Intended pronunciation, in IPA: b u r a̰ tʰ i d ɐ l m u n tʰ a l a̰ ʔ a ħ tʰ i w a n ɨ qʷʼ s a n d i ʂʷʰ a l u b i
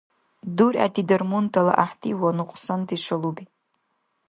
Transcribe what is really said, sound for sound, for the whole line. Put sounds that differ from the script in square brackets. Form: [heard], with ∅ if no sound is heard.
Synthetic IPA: [d] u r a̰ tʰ i d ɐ [r] m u n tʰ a l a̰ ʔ a ħ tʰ i w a n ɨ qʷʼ s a n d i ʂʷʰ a l u b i